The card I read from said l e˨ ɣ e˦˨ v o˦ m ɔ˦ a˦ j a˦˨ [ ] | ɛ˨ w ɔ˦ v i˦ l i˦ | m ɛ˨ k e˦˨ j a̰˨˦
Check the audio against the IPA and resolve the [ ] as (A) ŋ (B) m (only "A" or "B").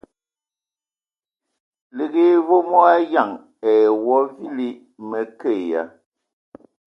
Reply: A